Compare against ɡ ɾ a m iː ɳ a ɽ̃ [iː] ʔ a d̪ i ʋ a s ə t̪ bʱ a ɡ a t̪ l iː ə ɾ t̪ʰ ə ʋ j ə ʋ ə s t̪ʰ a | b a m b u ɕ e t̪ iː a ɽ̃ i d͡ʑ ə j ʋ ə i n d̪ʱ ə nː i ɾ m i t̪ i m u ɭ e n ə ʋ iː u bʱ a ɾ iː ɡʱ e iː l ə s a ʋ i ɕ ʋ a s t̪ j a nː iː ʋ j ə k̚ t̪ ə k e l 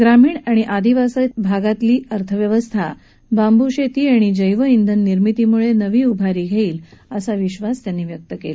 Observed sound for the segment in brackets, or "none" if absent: i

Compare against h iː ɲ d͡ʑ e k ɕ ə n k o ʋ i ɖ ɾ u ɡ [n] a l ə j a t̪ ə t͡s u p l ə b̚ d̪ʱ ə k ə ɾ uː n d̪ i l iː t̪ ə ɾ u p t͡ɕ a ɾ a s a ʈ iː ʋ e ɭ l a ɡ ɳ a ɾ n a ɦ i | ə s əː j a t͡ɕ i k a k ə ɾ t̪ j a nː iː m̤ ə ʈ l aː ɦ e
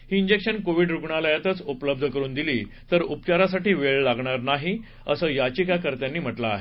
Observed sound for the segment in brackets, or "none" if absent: ɳ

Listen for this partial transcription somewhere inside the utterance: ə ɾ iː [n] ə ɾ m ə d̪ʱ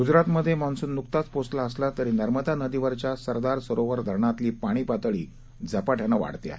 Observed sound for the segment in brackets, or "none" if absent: n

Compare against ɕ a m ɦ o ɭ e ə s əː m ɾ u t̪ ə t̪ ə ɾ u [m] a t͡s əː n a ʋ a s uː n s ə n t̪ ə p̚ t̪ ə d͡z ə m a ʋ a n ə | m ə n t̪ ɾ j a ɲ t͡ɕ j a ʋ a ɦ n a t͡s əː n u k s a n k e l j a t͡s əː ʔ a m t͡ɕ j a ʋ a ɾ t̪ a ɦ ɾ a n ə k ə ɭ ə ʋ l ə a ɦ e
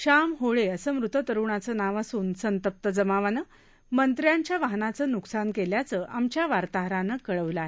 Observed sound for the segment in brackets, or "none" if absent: ɳ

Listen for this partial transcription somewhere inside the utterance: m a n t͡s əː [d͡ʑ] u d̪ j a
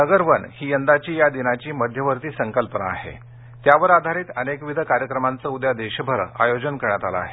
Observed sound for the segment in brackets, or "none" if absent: none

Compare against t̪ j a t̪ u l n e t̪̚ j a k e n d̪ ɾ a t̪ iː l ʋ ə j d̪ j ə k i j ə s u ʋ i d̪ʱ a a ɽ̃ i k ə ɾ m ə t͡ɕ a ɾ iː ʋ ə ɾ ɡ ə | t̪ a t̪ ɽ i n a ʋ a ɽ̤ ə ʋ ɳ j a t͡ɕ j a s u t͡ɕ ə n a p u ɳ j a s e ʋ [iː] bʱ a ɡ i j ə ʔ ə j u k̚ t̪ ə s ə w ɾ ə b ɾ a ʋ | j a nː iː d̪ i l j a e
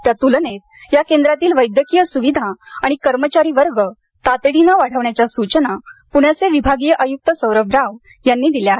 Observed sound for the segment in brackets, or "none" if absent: i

